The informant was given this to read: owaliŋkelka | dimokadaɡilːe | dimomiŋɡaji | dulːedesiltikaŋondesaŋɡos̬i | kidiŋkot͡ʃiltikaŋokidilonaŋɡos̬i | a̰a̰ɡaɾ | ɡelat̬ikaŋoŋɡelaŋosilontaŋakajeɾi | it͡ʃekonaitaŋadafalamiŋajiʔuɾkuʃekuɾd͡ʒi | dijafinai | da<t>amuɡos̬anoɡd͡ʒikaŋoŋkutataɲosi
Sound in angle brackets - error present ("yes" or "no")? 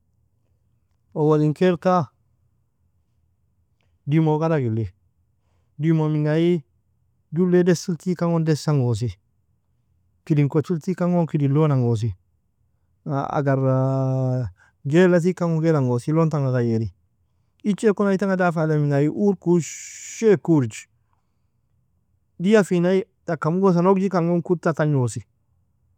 yes